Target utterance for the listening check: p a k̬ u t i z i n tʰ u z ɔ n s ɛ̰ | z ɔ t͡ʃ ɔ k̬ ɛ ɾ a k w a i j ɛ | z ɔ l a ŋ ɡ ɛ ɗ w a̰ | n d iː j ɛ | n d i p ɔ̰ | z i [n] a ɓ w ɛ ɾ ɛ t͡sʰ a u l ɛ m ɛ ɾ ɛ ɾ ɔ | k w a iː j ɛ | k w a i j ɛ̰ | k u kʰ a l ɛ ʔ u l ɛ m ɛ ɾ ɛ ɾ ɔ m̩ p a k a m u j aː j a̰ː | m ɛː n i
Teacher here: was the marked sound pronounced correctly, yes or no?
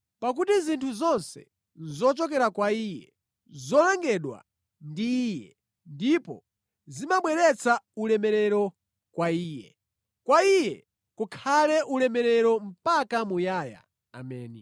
no